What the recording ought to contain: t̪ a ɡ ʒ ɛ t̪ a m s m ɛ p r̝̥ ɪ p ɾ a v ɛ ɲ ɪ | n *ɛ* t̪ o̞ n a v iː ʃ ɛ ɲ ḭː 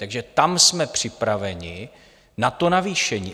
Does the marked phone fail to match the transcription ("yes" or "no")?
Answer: yes